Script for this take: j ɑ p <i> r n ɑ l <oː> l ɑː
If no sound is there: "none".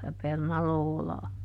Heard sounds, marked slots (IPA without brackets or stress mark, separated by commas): e, oː